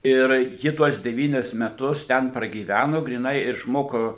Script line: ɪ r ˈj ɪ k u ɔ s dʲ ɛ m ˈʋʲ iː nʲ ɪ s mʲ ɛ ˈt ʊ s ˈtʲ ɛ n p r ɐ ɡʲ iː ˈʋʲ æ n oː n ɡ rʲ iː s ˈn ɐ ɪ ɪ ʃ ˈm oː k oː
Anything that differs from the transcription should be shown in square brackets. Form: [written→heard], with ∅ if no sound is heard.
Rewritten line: ɪ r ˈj ɪ [k→t] u ɔ s dʲ ɛ [m→∅] ˈʋʲ iː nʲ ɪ s mʲ ɛ ˈt ʊ s ˈtʲ ɛ n p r ɐ ɡʲ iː ˈʋʲ æ n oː [n→∅] ɡ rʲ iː [s→∅] ˈn ɐ ɪ ɪ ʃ ˈm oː k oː